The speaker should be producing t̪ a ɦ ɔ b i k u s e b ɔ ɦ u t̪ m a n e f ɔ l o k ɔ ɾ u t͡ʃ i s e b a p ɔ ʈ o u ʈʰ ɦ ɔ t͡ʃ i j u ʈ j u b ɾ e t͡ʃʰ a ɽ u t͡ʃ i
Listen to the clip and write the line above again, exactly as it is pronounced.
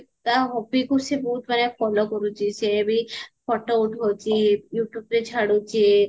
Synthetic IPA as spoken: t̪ a ɦ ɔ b i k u s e b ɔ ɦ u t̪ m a n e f ɔ l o k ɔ ɾ u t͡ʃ i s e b i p ɔ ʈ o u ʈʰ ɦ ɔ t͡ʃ i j u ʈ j u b ɾ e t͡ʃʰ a ɽ u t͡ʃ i

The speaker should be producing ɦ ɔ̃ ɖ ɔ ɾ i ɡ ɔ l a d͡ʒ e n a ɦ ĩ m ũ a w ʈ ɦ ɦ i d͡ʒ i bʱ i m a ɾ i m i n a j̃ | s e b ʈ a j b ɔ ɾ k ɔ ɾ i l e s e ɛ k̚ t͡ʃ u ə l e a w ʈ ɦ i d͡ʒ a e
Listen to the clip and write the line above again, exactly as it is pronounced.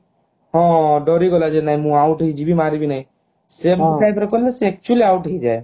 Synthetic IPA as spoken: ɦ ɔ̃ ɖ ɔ ɾ i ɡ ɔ l a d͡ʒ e n a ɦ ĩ m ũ a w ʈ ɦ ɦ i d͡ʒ i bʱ i m a ɾ i b i n a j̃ | s e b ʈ a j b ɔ ɾ k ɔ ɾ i l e s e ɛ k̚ t͡ʃ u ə l i a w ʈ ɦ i d͡ʒ a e

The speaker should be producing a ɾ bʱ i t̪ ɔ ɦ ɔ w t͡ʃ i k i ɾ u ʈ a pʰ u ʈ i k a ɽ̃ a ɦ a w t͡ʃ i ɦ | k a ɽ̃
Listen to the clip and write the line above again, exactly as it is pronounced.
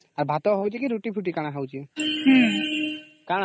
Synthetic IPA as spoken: a ɾ bʱ a t̪ ɔ ɦ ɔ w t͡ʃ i k i ɾ u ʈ i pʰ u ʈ i k a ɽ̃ a ɦ a w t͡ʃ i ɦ | k a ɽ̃

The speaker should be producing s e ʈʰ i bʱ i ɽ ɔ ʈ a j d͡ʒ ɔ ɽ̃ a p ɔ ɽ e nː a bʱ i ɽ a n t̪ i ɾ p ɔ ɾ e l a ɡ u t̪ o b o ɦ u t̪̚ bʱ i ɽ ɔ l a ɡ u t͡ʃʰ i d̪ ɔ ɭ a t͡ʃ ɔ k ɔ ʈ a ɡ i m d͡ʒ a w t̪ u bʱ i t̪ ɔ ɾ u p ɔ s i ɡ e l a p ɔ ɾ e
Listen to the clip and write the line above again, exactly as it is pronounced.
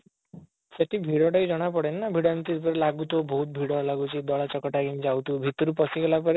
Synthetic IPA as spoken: s e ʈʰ i bʱ i ɽ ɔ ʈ a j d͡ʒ ɔ ɽ̃ a p ɔ ɽ e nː a bʱ i ɽ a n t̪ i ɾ p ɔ ɾ e l a ɡ u t̪ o b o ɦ u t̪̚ bʱ i ɽ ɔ l a ɡ u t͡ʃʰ i d̪ ɔ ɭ a t͡ʃ ɔ k ɔ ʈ a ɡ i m d͡ʒ a w t̪ u bʱ i t̪ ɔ ɾ u p ɔ s i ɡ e l a p ɔ ɾ e

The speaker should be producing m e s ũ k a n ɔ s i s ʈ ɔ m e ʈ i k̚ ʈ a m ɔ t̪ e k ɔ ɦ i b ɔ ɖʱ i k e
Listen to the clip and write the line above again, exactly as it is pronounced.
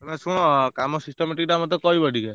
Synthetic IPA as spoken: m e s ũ k a m ɔ s i s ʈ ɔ m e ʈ i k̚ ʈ a m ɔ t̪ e k ɔ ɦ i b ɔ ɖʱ i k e

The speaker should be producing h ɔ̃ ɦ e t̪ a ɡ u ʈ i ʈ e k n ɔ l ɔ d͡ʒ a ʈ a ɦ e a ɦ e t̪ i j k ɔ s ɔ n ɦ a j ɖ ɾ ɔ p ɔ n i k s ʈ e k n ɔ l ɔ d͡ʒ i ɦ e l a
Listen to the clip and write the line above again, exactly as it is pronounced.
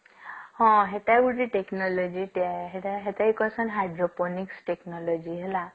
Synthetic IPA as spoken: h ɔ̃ ɦ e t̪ a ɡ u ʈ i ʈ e k n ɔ l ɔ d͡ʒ i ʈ a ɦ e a ɦ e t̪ a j k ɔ s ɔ n ɦ a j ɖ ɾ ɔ p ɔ n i k s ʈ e k n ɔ l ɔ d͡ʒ i ɦ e l a

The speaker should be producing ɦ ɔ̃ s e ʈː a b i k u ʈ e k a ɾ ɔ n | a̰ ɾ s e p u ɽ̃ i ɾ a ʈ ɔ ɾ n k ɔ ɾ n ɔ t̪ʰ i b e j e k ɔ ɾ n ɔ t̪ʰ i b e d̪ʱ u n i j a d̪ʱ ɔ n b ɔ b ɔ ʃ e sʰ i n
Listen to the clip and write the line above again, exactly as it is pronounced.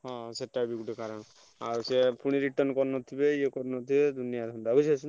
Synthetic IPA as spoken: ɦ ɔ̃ s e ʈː a b i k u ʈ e k a ɾ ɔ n | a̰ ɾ s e p u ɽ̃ i ɾ i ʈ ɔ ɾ n k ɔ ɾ n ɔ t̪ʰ i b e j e k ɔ ɾ n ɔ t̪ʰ i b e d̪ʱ u n i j a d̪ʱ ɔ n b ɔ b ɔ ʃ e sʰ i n

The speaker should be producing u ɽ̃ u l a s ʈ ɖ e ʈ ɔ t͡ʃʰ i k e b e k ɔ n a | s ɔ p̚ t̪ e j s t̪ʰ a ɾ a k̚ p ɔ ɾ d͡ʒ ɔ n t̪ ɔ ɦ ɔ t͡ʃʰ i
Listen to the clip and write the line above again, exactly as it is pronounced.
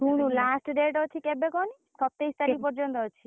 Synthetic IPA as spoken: u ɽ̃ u l a s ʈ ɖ e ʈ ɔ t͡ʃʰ i k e b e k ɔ n i | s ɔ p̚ t̪ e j s t̪ a ɾ i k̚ p ɔ ɾ d͡ʒ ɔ n t̪ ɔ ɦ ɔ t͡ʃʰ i

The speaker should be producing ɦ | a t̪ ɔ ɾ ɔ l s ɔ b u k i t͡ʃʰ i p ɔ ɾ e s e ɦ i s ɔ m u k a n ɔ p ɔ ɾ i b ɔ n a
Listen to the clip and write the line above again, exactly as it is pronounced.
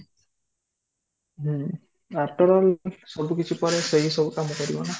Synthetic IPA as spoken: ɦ | a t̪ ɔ ɾ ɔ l s ɔ b u k i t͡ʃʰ i p ɔ ɾ e s e ɦ i s ɔ b u k a m ɔ k ɔ ɾ i b ɔ n a

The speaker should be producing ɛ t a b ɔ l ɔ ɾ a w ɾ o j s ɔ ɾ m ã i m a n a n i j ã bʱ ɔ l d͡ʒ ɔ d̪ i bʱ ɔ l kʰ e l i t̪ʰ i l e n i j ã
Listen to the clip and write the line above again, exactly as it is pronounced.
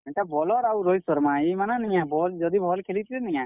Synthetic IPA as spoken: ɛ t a b ɔ l ɔ ɾ a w ɾ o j s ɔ ɾ m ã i m a n a n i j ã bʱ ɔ l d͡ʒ ɔ d̪ i bʱ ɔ l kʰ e l i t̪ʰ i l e n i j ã

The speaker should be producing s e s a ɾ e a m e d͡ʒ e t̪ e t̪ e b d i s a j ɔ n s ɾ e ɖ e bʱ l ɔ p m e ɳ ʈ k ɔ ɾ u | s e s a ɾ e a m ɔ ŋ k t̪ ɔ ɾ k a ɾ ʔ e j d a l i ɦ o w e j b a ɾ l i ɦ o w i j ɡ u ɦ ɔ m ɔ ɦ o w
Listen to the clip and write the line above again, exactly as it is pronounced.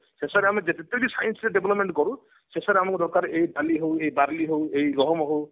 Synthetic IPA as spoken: s e s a ɾ e a m e d͡ʒ e t̪ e t̪ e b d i s a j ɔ n s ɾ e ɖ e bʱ l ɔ p m e ɳ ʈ k ɔ ɾ u | s e s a ɾ e a m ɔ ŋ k d̪ ɔ ɾ k a ɾ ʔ e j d a l i ɦ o w e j b a ɾ l i ɦ o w e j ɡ ɔ ɦ ɔ m ɔ ɦ o w

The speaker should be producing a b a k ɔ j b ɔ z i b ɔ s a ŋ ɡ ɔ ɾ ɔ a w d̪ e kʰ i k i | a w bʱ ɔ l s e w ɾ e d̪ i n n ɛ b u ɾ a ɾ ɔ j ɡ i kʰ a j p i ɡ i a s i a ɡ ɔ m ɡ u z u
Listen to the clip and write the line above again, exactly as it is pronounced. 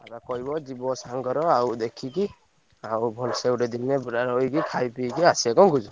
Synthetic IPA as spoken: a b a k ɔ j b ɔ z i b ɔ s a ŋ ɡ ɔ ɾ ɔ a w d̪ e kʰ i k i | a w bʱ ɔ l s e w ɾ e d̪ i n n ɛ b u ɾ a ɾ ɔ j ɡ i kʰ a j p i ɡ i a s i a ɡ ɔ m ɡ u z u

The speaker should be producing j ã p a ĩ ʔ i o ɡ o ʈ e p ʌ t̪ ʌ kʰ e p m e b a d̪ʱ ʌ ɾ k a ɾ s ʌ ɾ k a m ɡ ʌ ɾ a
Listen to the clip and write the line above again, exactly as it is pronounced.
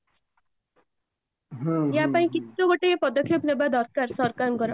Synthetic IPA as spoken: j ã p a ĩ k i o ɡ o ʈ e p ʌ d̪ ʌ kʰ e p n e b a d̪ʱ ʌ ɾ k a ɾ s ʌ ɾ k a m ɡ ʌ ɾ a

